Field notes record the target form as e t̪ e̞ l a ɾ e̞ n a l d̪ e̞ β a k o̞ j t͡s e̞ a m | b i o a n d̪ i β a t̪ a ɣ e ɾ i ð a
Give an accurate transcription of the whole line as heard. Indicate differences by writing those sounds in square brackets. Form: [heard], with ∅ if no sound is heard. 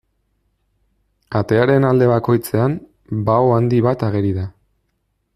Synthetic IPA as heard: [a] t̪ e̞ [∅] a ɾ e̞ n a l d̪ e̞ β a k o̞ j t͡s e̞ a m | b [a] o a n d̪ i β a t̪ a ɣ e ɾ i ð a